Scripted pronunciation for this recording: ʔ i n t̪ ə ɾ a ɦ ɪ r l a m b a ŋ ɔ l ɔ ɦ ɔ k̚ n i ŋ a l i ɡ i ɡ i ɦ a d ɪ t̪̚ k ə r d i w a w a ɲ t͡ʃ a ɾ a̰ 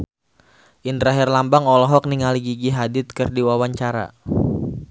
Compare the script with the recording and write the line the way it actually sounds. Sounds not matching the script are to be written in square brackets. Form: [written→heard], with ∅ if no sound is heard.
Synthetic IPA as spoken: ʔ i n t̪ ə ɾ a ɦ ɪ r l a m b a ŋ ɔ l ɔ ɦ ɔ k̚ n i ŋ a l i ɡ i ɡ i ɦ a d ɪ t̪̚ k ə r d i w a w a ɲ t͡ʃ a ɾ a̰

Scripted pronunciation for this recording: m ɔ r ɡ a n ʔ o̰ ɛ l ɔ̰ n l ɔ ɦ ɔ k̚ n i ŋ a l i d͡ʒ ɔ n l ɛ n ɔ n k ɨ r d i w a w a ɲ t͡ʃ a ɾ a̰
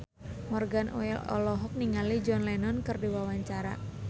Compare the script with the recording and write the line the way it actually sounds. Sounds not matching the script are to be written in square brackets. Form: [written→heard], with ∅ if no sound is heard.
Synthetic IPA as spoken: m ɔ r ɡ a n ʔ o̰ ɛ l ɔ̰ [n→∅] l ɔ ɦ ɔ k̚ n i ŋ a l i d͡ʒ ɔ n l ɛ n ɔ n k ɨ r d i w a w a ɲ t͡ʃ a ɾ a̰

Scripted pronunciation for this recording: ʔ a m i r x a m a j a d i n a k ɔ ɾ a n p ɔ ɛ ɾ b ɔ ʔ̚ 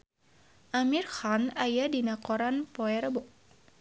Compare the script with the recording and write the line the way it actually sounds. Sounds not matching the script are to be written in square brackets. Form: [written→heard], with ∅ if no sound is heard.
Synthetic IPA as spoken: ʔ a m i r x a [m→n] a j a d i n a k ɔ ɾ a n p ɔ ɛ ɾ b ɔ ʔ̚

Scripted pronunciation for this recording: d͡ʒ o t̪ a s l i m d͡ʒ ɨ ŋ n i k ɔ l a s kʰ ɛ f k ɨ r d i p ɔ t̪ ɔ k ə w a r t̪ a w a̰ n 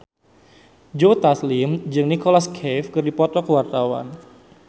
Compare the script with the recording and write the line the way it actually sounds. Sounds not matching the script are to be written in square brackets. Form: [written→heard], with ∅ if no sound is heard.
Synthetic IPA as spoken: d͡ʒ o t̪ a s l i m d͡ʒ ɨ ŋ n i k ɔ l a s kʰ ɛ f k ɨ r d i p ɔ t̪ ɔ k ə w a r t̪ a w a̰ n

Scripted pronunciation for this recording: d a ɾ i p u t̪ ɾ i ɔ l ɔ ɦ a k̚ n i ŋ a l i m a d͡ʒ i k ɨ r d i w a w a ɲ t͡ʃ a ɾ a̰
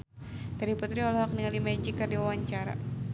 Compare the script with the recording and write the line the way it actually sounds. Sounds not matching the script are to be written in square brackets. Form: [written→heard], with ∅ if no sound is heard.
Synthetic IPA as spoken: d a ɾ i p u t̪ ɾ i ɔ l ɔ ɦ a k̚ n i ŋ a l i m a d͡ʒ i k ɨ r d i w a w a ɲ t͡ʃ a ɾ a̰

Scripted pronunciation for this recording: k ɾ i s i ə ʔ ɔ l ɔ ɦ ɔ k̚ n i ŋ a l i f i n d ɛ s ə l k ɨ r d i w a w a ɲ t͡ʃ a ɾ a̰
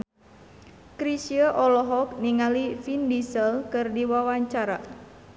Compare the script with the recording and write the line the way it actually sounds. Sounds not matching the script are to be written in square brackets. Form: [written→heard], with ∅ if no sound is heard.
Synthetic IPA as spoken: k ɾ i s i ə ʔ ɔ l ɔ ɦ ɔ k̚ n i ŋ a l i f i n d [ɛ→i] s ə l k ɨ r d i w a w a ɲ t͡ʃ a ɾ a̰

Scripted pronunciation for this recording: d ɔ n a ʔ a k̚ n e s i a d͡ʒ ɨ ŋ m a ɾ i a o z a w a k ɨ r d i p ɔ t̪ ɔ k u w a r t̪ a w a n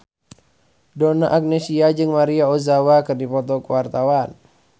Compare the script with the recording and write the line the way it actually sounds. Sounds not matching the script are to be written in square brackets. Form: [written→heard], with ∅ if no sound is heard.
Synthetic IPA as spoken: d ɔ n a ʔ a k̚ n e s i a d͡ʒ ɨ ŋ m a ɾ i a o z a w a k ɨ r d i p ɔ t̪ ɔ k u w a r t̪ a w a n

